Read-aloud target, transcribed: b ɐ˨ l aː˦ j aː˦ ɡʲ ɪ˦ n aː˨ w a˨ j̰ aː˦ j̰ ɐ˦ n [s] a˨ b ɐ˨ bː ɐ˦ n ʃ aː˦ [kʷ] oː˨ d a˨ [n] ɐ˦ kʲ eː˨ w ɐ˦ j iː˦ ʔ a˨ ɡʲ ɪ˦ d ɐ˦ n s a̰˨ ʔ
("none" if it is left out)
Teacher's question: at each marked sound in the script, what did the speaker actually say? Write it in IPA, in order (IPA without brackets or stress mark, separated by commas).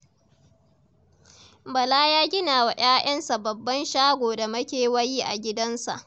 s, ɡʷ, m